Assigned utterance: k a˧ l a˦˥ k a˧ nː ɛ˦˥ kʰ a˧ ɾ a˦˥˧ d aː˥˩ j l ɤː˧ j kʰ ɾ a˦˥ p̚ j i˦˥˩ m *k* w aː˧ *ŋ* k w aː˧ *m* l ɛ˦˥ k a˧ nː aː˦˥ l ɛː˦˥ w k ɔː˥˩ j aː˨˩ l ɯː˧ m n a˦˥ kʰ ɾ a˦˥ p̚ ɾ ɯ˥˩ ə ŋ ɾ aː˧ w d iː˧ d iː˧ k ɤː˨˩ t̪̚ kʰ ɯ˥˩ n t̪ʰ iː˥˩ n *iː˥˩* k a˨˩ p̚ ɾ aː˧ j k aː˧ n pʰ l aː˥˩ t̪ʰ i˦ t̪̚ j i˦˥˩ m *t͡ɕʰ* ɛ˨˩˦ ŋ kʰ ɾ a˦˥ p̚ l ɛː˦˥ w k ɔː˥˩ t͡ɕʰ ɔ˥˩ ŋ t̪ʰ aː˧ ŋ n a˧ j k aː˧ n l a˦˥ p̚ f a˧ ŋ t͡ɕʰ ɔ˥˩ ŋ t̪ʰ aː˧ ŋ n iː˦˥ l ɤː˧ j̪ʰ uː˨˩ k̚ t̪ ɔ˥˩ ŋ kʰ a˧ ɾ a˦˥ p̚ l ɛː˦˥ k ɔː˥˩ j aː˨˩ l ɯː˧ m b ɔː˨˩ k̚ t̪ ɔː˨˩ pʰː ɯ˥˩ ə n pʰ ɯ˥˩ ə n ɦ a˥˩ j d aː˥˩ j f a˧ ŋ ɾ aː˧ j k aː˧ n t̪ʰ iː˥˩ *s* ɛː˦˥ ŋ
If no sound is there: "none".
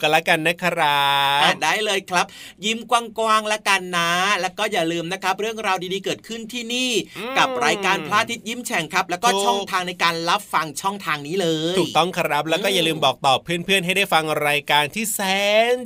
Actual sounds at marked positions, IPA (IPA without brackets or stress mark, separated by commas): k, ŋ, ŋ, iː˥˩, t͡ɕʰ, s